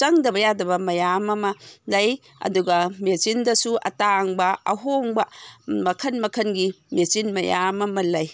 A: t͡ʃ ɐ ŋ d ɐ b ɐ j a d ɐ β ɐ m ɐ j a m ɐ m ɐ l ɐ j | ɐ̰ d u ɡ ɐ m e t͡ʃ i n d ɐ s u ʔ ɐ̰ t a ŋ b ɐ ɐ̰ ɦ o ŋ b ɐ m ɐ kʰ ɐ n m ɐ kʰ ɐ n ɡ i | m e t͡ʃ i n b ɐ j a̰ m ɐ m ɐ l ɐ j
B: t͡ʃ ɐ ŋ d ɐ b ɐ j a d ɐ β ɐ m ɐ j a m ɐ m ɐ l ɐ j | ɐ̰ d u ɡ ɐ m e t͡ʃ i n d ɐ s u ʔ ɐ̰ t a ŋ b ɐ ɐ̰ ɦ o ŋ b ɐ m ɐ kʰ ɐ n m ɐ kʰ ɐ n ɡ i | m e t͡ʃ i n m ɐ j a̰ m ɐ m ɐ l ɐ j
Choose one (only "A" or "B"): B